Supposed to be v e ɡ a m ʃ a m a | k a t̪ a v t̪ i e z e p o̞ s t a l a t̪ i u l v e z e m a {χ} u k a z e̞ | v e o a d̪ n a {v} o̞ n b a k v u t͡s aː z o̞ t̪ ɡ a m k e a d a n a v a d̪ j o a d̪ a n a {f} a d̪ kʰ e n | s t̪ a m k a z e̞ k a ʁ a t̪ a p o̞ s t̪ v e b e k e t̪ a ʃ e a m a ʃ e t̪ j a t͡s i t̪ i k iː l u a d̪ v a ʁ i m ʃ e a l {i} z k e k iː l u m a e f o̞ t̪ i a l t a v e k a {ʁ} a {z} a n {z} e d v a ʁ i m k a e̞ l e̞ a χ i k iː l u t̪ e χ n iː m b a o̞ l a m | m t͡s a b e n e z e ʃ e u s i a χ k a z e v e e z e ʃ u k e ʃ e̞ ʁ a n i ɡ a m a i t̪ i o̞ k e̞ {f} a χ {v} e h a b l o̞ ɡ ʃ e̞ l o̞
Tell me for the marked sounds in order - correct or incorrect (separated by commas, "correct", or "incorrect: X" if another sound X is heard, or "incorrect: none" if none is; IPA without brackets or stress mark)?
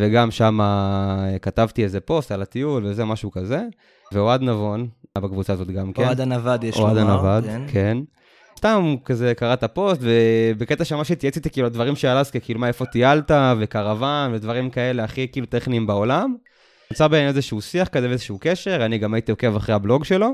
incorrect: ʃ, correct, incorrect: v, incorrect: a, correct, incorrect: v, incorrect: v, incorrect: v, incorrect: ʁ